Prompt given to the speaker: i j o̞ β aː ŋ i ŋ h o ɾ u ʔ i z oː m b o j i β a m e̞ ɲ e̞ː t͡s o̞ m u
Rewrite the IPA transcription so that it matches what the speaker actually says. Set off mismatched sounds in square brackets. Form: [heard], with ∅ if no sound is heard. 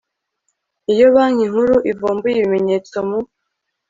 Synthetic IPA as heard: i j o̞ β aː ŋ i ŋ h [u] ɾ u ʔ i [v] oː m b [u] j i β [i] m e̞ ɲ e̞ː t͡s o̞ m u